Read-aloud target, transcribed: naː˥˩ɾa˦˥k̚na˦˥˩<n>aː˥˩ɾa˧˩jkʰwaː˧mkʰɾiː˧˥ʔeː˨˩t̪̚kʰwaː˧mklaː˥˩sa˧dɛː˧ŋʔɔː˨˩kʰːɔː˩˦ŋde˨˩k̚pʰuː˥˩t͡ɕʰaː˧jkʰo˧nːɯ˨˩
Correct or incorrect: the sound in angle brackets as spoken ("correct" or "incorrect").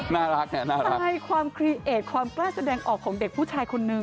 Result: correct